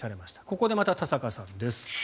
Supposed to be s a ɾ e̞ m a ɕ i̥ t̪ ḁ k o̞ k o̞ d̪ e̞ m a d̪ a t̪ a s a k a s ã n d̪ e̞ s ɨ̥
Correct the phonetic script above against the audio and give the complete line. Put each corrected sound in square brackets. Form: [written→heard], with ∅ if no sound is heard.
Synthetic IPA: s a ɾ e̞ m a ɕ i̥ t̪ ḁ k o̞ k o̞ d̪ e̞ m a [d̪→t̪] a t̪ a s a k a s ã n d̪ e̞ s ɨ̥